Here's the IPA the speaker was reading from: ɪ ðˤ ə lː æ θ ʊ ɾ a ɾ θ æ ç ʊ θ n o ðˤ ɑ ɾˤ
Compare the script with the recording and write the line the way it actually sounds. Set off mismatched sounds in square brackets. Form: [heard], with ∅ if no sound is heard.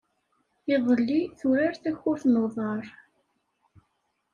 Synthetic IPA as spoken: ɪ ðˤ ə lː [i] θ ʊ ɾ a ɾ θ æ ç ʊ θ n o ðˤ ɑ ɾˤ